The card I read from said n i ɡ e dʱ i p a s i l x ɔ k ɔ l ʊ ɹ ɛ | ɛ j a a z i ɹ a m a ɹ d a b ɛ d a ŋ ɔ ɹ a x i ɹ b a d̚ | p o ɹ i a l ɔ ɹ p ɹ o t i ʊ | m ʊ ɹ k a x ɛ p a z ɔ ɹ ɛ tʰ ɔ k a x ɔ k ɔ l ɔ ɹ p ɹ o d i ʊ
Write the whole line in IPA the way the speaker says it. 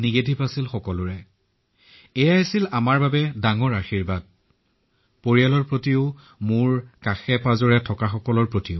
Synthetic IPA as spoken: n i ɡ e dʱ i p a s i l x ɔ k ɔ l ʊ ɹ ɛ | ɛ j a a s i l a m a ɹ b a b ɛ d a ŋ ɔ ɹ a x i ɹ b a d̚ | p o ɹ i a l ɔ ɹ p ɹ o t i ʊ | m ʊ ɹ k a x ɛ p a z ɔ ɹ ɛ tʰ ɔ k a x ɔ k ɔ l ɔ ɹ p ɹ o t i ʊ